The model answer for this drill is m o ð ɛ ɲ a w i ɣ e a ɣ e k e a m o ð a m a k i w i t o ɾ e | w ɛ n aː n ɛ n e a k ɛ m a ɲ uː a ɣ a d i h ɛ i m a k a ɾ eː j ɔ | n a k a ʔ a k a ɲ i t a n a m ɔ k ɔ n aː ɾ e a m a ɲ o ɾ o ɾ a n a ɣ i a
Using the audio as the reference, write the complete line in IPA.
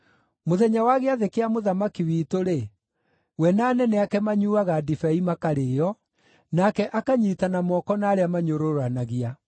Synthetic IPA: m o ð ɛ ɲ a w a ɣ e a ð e k e a m o ð a m a k i w i t o ɾ e | w ɛ n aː n ɛ n ɛ a k ɛ m a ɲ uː a ɣ a d i f ɛ i m a k a ɾ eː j ɔ | n a k ɛ ʔ a k a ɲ i t a n a m ɔ k ɔ n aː ɾ e a m a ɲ o ɾ o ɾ a n a ɣ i a

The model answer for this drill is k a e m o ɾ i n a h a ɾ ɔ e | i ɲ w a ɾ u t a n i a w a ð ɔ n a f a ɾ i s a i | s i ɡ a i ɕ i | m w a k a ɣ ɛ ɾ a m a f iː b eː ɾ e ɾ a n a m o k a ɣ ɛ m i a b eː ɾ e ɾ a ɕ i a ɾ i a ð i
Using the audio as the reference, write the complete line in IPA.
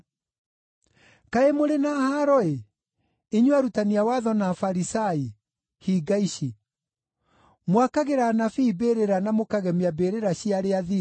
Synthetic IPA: k a e m o ɾ e n a h a ɾ ɔ e | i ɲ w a ɾ u t a n i a w a ð ɔ n a f a ɾ i s a i | h i ɡ a i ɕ i | m w a k a ɣ e ɾ a n a f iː b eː ɾ e ɾ a n a m o k a ɣ ɛ m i a b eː ɾ e ɾ a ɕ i a ɾ e a ð i

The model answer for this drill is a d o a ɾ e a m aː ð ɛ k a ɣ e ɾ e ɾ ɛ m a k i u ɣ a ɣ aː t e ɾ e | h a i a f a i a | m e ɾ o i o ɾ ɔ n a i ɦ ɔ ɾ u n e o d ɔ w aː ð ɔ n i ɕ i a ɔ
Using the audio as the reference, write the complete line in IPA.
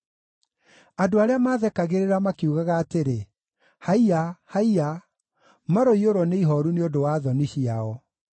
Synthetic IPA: a d o a ɾ e a m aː ð ɛ k a ɣ e ɾ e ɾ a m a k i u ɣ a ɣ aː t e ɾ e | h a i a h a i a | m a ɾ o i o ɾ ɔ n e i ɦ ɔ ɾ u n e o d o w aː ð ɔ n i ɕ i a ɔ

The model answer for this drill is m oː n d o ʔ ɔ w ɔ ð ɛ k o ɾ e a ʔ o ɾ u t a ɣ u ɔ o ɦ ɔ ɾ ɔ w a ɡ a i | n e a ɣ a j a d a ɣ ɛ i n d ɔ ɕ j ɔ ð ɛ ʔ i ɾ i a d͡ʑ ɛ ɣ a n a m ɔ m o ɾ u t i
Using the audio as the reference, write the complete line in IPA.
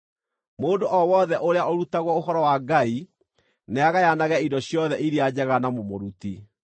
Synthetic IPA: m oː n d o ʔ ɔ w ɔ ð ɛ ʔ o ɾ e a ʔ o ɾ u t a ɣ w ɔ o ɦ ɔ ɾ ɔ w a ɡ a i | n e a ɣ a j a n a ɣ ɛ i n d ɔ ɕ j ɔ ð ɛ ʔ i ɾ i a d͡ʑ ɛ ɣ a n a m o m o ɾ u t i

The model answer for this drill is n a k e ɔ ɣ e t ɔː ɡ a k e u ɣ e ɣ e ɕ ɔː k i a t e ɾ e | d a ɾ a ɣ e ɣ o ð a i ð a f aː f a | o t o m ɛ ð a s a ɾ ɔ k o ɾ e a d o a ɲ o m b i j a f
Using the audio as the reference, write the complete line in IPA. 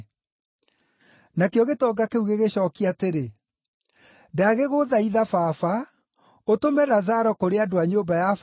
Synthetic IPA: n a k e ɔ ɣ e t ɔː ɡ a k e u ɣ e ɣ e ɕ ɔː k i a t e ɾ e | d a a ɣ e ɣ o ð a i ð a f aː f a | o t o m ɛ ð a z a ɾ ɔ k o ɾ e a d o a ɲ o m b a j a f

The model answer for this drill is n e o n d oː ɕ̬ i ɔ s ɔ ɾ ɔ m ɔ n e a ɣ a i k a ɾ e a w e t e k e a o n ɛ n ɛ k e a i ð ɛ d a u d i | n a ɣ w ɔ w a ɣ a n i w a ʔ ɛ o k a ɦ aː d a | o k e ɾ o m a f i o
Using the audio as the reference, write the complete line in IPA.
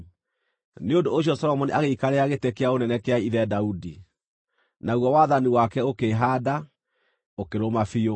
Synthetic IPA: n e o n d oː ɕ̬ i ɔ s ɔ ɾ ɔ m ɔ n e a ɣ e i k a ɾ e a ɣ e t e k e a o n ɛ n ɛ k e a i ð ɛ d a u d i | n a ɣ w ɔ w a ð a n i w a k ɛ o k e ɦ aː d a | o k e ɾ o m a f i o

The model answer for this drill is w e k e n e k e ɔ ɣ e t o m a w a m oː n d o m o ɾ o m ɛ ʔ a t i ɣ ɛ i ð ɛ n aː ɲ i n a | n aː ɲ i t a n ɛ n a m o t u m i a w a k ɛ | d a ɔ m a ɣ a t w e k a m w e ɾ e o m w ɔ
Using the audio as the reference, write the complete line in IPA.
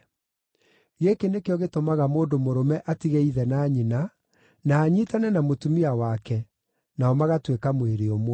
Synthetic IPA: ɣ e k e n e k e ɔ ɣ e t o m a ɣ a m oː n d o m o ɾ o m ɛ ʔ a t i ɣ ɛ i ð ɛ n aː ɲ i n a | n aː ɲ i t a n ɛ n a m o t u m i a w a k ɛ | n a ɔ m a ɣ a t w e k a m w e ɾ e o m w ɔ

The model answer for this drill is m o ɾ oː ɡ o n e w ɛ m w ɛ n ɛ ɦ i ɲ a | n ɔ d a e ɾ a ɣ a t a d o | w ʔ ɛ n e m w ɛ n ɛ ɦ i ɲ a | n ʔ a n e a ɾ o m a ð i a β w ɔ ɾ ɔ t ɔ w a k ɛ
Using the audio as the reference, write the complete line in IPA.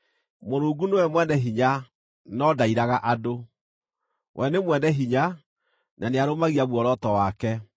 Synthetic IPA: m o ɾ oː ɡ u n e w ɛ m w ɛ n ɛ ɦ i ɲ a | n ɔ d a i ɾ a ɣ a ʔ a d o | w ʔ ɛ n e m w ɛ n ɛ ɦ i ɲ a | n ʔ a n e a ɾ o m a ɣ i a β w ɔ ɾ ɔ t ɔ w a k ɛ

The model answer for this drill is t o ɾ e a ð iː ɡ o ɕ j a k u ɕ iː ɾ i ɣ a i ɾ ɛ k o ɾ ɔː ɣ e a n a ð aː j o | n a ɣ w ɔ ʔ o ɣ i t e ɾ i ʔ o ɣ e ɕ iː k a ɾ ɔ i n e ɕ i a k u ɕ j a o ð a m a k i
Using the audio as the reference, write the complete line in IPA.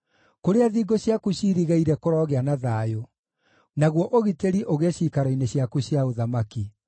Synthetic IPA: k o ɾ e a ð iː ɡ o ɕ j a k u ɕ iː ɾ i ɣ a i ɾ ɛ k o ɾ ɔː ɣ e a n a ð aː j o | n a ɣ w ɔ ʔ o ɣ i t e ɾ i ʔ o ɣ e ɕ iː k a ɾ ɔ i n e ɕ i a k u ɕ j a o ð a m a k i

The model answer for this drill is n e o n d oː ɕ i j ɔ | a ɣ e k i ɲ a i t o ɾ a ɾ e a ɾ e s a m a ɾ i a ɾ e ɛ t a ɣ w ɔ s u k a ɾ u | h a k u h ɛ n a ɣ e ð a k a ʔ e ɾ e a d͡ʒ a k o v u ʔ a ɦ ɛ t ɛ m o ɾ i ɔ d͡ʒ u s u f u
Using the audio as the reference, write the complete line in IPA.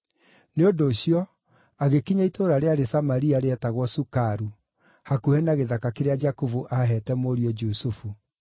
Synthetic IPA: n e o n d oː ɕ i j ɔ | a ɣ e k i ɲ a i t o ɾ a ɾ e a ɾ e s a m a ɾ i a ɾ e ɛ t a ɣ w ɔ s u k a ɾ u | h a k u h ɛ n a ɣ e ð a k a k e ɾ e a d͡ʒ a k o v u ʔ a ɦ ɛ t ɛ m o ɾ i ɔ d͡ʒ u s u f u

